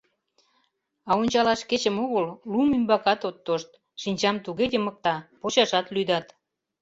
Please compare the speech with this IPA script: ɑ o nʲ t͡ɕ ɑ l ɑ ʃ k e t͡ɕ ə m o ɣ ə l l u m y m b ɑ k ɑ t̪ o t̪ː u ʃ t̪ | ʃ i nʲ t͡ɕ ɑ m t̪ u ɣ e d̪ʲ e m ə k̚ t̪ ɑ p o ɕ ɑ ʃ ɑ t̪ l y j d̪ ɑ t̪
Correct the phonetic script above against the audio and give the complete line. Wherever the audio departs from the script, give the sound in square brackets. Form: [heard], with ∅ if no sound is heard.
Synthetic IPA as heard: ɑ o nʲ t͡ɕ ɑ l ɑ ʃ k e t͡ɕ ə m o ɣ ə l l u m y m b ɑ k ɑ t̪ o t̪ː [o] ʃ t̪ | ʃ i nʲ t͡ɕ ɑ m t̪ u ɣ e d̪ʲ e m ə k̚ t̪ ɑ p o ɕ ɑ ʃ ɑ t̪ l y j d̪ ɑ t̪